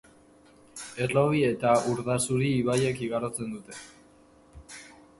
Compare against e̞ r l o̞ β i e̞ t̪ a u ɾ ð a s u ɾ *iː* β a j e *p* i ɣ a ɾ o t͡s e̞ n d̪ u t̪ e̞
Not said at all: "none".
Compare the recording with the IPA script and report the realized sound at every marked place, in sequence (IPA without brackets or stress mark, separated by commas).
iː, k